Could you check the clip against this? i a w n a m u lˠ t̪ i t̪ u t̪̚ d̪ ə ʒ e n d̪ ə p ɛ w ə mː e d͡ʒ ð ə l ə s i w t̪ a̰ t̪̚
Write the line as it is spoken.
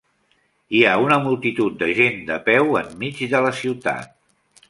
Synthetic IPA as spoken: i a u n ə m u lˠ t̪ i t̪ u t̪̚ d̪ ə ʒ e n d̪ ə p ɛ w ə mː i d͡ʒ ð ə l ə s i w t̪ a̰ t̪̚